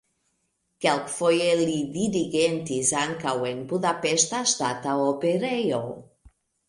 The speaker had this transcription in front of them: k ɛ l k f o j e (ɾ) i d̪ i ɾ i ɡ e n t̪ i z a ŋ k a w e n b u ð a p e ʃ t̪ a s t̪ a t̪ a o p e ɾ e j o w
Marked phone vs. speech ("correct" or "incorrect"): incorrect